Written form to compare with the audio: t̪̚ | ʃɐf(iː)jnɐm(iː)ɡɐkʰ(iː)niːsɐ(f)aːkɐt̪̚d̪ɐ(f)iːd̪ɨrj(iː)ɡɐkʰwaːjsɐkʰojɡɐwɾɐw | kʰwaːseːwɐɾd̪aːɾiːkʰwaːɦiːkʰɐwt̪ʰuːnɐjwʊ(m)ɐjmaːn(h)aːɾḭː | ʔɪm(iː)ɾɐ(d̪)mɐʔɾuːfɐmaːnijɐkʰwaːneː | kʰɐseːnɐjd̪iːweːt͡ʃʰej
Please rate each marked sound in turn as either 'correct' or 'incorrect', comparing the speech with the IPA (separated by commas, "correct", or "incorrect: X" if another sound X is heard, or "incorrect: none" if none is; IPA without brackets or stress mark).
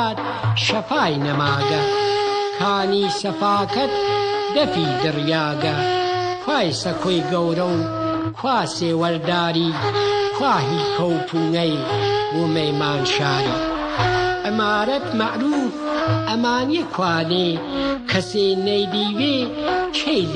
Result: incorrect: aː, incorrect: aː, incorrect: aː, correct, correct, incorrect: aː, correct, incorrect: ʃ, incorrect: aː, incorrect: t̪